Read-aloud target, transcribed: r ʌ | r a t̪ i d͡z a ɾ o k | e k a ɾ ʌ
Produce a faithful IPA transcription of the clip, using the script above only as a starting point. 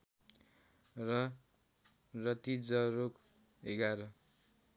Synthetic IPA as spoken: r ʌ | r ʌ t̪ i d͡z ʌ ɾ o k | e ɡ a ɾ ʌ